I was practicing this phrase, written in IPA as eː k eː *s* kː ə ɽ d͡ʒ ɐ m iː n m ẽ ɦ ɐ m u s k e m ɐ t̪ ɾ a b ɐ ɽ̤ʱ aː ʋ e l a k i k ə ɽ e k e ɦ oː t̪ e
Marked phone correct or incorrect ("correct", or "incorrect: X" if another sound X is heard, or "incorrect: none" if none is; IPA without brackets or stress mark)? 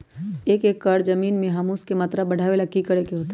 incorrect: none